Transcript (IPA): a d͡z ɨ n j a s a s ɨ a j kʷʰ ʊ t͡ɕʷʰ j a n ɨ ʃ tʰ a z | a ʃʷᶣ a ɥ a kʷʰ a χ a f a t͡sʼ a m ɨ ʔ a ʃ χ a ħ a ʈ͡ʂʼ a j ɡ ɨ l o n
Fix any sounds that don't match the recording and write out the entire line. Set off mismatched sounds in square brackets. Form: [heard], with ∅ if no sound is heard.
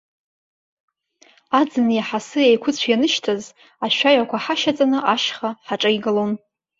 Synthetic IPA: a d͡z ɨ n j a [ħ] a s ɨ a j kʷʰ ʊ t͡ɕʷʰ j a n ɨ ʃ tʰ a z | a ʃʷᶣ a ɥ a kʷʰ a [ħ] a [ʃ] a t͡sʼ a [n] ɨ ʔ a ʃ χ a ħ a ʈ͡ʂʼ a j ɡ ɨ l o n